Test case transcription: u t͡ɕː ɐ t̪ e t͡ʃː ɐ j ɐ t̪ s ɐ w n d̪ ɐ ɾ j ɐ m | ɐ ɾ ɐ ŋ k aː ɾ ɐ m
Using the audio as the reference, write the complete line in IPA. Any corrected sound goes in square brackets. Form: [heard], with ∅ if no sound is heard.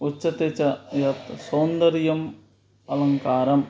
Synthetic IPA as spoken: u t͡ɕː ɐ t̪ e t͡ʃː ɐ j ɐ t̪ s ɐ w n d̪ ɐ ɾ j ɐ m | ɐ [l] ɐ ŋ k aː ɾ ɐ m